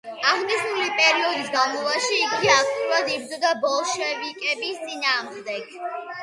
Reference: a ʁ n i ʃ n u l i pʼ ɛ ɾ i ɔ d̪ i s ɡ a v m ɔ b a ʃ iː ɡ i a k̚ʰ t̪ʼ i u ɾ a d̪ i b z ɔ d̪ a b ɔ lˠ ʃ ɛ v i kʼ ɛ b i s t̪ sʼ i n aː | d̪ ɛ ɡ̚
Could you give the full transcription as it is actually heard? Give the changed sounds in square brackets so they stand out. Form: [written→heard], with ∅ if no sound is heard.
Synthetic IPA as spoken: a ʁ n i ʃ n u l i pʼ ɛ ɾ i ɔ d̪ i s ɡ a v m ɔ [b→v] a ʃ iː ɡ i a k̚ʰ t̪ʼ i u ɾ a d̪ i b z ɔ d̪ a b ɔ lˠ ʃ ɛ v i kʼ ɛ b i s t̪ sʼ i n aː | d̪ ɛ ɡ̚